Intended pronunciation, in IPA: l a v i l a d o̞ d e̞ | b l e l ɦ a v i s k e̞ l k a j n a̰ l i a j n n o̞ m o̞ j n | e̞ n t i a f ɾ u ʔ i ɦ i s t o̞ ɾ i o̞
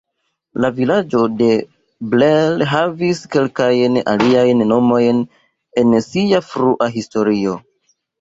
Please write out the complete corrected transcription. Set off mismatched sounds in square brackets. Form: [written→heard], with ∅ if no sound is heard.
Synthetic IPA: l a v i l a [d→d͡ʒ] o̞ d e̞ | b l e l ɦ a v i s k e̞ l k a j n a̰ l i a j n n o̞ m o̞ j n | e̞ n [t→s] i a f ɾ u ʔ [i→a] ɦ i s t o̞ ɾ i o̞